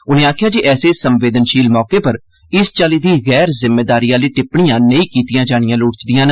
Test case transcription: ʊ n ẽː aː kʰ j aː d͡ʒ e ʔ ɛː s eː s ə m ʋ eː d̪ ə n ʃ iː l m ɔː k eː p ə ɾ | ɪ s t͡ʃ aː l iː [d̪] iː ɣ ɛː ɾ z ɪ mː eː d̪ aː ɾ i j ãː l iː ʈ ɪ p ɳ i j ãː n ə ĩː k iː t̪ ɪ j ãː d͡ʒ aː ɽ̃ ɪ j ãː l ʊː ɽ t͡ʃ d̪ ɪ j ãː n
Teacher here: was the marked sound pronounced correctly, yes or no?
yes